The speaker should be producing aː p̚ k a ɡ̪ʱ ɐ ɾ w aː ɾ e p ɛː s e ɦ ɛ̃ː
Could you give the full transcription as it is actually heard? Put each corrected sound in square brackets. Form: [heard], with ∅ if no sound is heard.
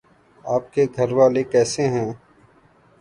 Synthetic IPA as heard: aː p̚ k [e] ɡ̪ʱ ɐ ɾ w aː [l] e [k] ɛː s e ɦ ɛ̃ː